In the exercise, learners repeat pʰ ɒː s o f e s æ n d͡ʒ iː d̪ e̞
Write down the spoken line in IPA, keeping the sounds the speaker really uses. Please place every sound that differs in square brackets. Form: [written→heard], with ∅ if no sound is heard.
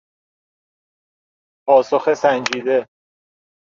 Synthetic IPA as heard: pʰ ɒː s o [f→x] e s æ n d͡ʒ iː d̪ e̞